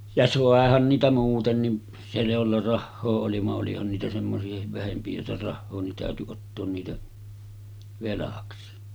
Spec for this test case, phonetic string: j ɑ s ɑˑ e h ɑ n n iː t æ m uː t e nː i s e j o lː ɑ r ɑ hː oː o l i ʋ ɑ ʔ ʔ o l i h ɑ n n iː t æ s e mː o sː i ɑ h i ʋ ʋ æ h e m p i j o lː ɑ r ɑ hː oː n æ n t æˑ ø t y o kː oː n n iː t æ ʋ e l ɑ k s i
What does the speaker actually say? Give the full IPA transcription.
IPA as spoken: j ɑ s ɑˑ e h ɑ n n iː t æ m uː t e nː i s e j o lː ɑ r ɑ hː oː o l i ʋ ɑ ʔ ʔ o l i h ɑ n n iː t æ s e mː o s i ɑ h i ʋ ʋ æ h e m p i j o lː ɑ r ɑ hː oː n i n t æˑ ø t y o tː oː n n iː t æ ʋ e l ɑ k s i